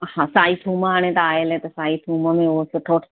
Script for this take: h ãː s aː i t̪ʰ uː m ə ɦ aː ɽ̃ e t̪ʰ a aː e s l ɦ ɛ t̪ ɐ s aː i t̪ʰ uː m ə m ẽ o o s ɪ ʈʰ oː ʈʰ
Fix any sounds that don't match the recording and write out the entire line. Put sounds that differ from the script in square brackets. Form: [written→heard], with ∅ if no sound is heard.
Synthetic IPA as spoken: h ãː s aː i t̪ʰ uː m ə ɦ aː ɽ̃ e [t̪ʰ→t̪] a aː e [s→∅] l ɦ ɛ t̪ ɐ s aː i t̪ʰ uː m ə m ẽ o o s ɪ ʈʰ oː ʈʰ